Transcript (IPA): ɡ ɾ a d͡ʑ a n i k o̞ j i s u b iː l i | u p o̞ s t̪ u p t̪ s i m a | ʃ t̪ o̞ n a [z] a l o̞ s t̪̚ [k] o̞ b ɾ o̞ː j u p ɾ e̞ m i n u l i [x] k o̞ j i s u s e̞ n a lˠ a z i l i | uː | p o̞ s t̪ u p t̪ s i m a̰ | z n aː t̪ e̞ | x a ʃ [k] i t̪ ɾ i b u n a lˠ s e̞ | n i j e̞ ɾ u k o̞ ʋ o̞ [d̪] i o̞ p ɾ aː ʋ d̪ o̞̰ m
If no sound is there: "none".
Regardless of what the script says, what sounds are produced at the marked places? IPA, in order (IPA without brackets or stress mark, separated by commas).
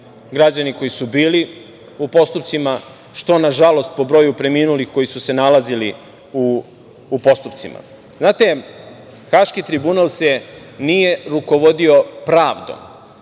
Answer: ʒ, p, x, k, d̪